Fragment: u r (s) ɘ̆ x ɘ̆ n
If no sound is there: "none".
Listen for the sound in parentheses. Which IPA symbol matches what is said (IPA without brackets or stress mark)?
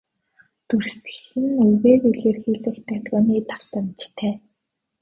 s